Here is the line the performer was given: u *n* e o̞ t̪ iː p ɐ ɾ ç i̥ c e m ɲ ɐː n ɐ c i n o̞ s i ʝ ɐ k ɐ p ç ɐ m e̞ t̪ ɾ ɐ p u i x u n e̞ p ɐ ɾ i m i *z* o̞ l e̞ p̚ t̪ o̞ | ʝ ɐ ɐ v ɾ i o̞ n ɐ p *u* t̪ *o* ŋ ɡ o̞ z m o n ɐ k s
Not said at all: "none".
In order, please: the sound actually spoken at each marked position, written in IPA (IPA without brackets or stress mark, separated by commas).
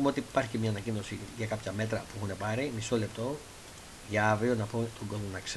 m, s, o, o